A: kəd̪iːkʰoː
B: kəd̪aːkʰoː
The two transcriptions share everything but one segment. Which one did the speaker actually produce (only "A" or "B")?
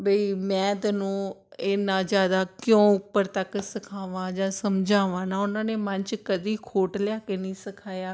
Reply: A